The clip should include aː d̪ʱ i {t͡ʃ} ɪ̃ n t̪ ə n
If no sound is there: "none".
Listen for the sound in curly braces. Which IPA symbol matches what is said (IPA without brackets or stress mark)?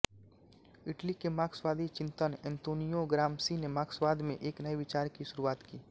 t͡ʃ